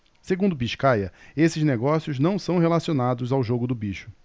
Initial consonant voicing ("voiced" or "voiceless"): voiceless